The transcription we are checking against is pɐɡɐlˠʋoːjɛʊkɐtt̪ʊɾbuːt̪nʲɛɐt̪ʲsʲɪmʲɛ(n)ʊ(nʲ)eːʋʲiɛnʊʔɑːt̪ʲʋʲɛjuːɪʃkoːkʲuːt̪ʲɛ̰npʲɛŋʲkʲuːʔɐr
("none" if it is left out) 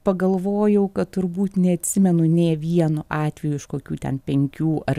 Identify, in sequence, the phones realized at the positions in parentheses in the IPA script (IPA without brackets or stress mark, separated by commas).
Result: n, nʲ